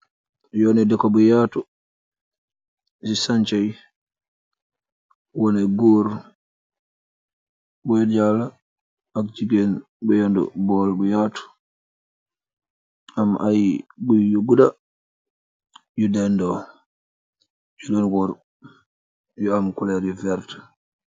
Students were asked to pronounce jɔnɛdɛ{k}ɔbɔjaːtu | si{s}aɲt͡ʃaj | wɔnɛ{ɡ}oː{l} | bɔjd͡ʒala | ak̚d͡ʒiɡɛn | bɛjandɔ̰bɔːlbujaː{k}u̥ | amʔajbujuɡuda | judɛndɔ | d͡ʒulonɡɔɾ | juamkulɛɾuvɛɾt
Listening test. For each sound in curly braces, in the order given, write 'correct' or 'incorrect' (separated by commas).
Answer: correct, correct, correct, incorrect, incorrect